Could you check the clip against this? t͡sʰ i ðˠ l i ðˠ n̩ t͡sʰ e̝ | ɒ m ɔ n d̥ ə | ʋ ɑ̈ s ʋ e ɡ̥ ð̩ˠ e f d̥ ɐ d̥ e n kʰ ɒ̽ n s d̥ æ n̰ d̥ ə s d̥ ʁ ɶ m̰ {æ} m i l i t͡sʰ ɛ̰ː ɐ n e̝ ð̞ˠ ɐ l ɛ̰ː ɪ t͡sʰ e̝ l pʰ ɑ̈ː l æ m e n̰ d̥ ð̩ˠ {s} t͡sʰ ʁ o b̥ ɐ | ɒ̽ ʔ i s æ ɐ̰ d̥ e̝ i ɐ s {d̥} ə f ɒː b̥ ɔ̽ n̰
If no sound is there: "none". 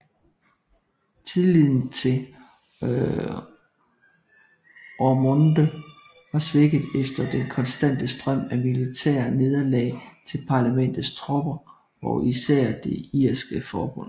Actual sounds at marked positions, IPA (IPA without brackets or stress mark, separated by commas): æ, s, ɡ̥